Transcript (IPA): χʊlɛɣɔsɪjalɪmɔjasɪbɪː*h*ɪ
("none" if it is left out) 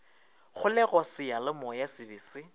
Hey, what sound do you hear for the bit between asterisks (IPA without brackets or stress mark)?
s